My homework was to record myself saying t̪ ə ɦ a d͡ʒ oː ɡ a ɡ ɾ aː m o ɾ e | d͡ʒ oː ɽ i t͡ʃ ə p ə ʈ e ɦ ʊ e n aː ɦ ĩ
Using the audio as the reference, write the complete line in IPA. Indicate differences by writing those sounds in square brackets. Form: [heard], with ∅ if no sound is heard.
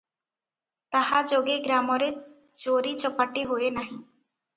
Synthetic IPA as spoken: t̪ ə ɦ a d͡ʒ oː ɡ [e] ɡ ɾ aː m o ɾ e | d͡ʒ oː [ɾ] i t͡ʃ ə p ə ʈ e ɦ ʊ e n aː ɦ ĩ